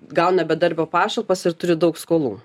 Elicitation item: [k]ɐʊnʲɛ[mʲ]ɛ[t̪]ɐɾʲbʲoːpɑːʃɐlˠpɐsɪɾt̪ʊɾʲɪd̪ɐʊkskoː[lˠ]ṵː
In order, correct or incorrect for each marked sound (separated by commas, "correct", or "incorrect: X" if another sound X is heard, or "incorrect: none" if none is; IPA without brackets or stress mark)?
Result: incorrect: ɡ, incorrect: bʲ, incorrect: d̪, correct